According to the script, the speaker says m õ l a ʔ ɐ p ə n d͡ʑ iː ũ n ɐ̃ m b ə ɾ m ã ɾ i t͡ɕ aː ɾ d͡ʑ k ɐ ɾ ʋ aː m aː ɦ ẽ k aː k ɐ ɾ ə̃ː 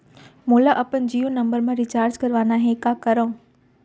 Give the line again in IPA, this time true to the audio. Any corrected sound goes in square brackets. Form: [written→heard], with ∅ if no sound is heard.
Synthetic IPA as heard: m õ l a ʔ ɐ p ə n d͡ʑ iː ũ n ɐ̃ m b ə ɾ m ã ɾ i t͡ɕ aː ɾ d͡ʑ k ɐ ɾ ʋ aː [m→n] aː ɦ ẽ k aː k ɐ ɾ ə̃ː

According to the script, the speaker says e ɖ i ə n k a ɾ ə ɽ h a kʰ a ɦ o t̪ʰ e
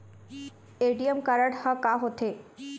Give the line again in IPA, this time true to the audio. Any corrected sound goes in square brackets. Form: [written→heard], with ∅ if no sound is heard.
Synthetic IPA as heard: e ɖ i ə [n→m] k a ɾ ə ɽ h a [kʰ→k] a ɦ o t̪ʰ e

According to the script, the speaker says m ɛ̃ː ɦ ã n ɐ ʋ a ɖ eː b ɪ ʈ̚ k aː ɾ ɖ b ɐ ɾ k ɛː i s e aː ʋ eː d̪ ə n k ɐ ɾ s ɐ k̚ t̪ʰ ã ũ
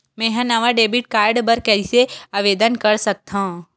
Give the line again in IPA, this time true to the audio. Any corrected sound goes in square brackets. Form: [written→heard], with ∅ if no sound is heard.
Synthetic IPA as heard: m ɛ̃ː ɦ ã n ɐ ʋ a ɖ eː b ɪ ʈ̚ k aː ɾ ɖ b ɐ ɾ k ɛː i s e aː ʋ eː d̪ ə n k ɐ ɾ s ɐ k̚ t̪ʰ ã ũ

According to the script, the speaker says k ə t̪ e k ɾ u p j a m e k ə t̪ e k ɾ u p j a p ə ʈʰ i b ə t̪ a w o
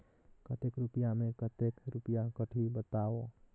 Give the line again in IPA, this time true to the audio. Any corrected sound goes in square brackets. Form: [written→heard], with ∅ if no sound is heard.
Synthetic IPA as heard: k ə t̪ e k ɾ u p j a m e k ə t̪ e k ɾ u p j a [p→k] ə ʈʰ i b ə t̪ a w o

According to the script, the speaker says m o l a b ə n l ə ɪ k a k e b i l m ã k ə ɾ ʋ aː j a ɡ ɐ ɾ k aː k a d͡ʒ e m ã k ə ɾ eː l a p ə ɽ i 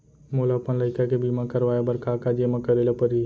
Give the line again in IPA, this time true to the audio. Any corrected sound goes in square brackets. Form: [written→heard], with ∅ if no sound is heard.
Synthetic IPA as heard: m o l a [b→p] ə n l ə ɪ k a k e b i [l→∅] m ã k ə ɾ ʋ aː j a [ɡ→b] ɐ ɾ k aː k a d͡ʒ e m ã k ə ɾ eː l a p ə [ɽ→ɾ] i

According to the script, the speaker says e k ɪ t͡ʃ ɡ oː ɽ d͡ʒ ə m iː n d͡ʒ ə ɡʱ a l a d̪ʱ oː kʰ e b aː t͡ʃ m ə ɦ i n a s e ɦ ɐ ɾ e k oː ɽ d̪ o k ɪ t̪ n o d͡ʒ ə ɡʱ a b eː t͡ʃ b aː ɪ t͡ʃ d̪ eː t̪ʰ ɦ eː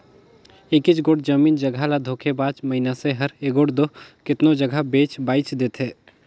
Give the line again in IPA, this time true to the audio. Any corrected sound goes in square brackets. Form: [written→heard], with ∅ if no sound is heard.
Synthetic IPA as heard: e k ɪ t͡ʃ ɡ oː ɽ d͡ʒ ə m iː n d͡ʒ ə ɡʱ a l a d̪ʱ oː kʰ e b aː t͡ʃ m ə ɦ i n a s e ɦ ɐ ɾ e [k→ɡ] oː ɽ d̪ o k ɪ t̪ n o d͡ʒ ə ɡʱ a b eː t͡ʃ b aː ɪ t͡ʃ d̪ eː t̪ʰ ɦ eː

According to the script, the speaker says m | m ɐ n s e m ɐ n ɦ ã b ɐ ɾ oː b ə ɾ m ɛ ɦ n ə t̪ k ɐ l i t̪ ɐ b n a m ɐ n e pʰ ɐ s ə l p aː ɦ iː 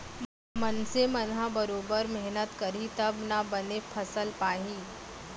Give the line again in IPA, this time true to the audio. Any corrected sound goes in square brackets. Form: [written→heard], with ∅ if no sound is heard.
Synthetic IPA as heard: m | m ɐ n s e m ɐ n ɦ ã b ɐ ɾ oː b ə ɾ m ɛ ɦ n ə t̪ k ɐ [l→ɾ] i t̪ ɐ b n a [m→b] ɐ n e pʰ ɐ s ə l p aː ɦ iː

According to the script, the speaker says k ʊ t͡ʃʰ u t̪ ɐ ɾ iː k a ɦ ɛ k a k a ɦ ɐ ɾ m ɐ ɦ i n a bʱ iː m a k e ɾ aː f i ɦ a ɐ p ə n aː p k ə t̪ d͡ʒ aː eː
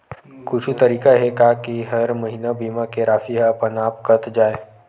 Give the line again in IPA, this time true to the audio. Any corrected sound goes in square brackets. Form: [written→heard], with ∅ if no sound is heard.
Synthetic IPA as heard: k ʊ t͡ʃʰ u t̪ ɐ ɾ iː k a ɦ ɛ k a k [a→i] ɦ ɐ ɾ m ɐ ɦ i n a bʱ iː m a k e ɾ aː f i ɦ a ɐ p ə n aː p k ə t̪ d͡ʒ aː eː

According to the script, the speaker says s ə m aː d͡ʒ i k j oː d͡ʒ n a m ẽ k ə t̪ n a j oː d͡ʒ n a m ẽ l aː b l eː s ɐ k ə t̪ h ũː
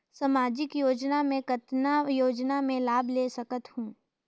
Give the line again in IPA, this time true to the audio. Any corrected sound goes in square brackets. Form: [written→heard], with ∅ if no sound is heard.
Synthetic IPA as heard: s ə m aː d͡ʒ [i→ɪ] k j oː d͡ʒ n a m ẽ k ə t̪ n a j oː d͡ʒ n a m ẽ l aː b l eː s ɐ k ə t̪ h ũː

